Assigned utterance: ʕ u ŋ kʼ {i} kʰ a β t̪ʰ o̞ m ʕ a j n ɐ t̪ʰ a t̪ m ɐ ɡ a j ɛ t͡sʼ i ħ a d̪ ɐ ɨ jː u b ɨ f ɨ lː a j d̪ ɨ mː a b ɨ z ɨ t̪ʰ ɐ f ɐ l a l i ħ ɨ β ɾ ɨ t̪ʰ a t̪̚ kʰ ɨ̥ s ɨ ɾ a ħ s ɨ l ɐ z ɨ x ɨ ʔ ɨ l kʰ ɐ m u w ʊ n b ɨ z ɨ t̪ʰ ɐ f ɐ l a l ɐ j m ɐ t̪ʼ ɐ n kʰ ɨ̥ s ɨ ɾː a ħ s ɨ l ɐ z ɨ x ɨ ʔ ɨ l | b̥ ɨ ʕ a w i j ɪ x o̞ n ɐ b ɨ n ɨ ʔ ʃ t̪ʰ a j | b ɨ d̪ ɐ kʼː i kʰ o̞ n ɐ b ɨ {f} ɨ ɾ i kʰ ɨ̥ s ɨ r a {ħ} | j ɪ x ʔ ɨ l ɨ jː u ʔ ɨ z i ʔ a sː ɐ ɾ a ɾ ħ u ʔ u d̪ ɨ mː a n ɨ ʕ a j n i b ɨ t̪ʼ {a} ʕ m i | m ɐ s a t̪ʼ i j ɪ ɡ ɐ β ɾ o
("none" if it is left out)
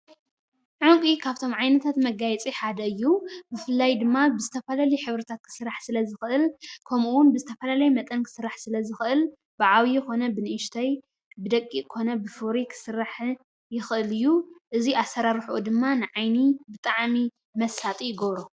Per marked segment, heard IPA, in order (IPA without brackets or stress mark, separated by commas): i, f, ħ, a